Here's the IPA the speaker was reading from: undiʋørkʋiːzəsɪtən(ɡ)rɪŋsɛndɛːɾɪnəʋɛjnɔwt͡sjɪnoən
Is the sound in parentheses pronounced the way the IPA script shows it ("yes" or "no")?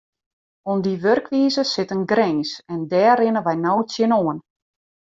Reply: yes